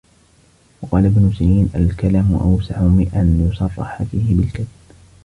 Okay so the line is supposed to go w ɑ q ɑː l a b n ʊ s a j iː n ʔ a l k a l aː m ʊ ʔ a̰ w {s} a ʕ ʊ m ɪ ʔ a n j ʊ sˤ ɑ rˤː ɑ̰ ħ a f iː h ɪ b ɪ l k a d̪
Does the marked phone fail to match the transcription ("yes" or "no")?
no